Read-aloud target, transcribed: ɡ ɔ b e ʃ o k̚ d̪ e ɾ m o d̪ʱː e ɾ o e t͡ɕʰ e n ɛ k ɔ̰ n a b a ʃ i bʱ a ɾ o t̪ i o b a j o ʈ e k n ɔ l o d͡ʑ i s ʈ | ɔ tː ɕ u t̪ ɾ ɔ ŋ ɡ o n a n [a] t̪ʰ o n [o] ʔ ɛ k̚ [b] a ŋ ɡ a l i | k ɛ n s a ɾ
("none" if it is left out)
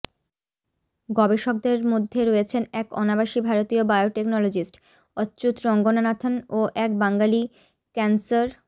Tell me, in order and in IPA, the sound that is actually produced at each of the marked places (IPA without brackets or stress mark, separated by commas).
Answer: a, o, b